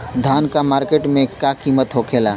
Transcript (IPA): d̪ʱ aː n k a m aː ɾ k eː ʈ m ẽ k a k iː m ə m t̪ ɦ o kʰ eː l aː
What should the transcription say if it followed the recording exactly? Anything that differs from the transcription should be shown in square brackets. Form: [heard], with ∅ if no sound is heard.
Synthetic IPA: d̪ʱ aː n k a m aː ɾ k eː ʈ m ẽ k a k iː m ə [∅] t̪ ɦ o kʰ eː l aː